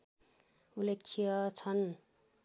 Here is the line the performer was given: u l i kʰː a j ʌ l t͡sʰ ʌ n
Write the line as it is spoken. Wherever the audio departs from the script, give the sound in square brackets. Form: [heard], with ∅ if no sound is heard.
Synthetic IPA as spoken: u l [e] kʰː [i] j ʌ [∅] t͡sʰ ʌ n